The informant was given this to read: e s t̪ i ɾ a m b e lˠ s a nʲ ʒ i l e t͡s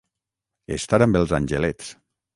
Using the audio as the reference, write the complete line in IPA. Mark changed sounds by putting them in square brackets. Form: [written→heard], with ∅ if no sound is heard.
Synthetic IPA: e s t̪ [i→a] ɾ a m b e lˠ [s→z] a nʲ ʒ [i→e] l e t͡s